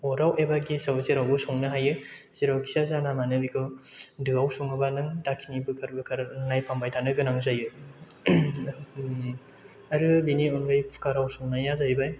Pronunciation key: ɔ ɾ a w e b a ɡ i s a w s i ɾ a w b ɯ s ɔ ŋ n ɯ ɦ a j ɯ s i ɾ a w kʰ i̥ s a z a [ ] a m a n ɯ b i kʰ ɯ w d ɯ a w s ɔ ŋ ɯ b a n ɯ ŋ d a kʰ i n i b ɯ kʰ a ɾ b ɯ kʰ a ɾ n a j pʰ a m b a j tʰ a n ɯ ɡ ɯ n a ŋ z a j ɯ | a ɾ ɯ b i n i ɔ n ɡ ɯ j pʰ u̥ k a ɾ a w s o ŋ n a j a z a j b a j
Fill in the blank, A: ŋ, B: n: B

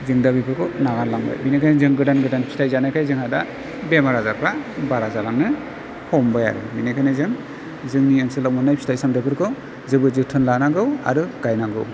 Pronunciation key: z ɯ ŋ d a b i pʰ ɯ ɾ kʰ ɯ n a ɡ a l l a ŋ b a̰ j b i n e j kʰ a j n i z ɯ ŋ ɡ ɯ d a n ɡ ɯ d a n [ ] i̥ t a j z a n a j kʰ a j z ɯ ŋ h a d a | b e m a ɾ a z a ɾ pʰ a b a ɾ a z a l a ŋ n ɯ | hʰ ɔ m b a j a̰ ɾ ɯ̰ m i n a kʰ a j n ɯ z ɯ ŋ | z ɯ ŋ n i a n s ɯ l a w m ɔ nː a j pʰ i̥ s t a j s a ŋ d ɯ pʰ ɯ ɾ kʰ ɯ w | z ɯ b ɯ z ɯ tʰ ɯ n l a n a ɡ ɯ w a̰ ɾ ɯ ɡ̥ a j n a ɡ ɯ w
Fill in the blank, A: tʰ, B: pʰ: B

